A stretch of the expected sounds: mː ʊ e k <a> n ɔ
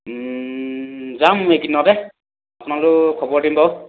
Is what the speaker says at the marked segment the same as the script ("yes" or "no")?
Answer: no